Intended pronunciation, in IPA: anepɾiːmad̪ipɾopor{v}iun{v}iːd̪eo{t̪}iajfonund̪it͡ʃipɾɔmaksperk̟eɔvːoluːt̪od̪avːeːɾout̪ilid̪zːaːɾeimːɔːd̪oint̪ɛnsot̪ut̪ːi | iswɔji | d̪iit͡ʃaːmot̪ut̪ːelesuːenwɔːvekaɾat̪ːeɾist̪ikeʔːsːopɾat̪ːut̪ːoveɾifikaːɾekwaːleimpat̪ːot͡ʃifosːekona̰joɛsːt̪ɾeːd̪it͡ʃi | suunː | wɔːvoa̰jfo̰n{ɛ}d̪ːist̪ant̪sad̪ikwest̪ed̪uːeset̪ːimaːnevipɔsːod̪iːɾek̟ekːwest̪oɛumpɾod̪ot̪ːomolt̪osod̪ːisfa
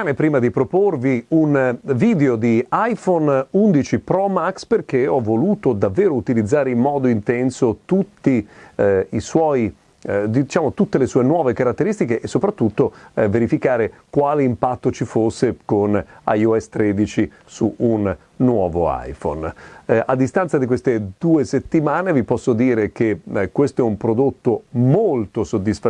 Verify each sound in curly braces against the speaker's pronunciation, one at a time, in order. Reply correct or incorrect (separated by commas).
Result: correct, correct, incorrect, incorrect